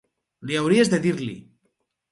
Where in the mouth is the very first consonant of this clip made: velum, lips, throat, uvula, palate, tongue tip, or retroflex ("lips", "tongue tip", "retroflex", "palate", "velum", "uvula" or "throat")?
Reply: tongue tip